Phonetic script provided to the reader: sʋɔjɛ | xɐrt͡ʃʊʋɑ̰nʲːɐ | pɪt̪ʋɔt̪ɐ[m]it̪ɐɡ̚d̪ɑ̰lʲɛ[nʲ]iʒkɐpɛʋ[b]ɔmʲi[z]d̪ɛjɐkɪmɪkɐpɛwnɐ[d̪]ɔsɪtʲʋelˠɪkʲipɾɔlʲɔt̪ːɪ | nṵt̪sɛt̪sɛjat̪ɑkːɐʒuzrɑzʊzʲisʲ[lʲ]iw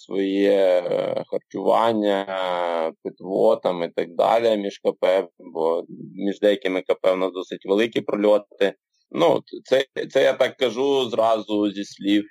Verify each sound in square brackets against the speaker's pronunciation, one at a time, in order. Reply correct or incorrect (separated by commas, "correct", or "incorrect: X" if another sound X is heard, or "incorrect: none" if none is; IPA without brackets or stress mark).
correct, incorrect: mʲ, correct, incorrect: ʒ, correct, correct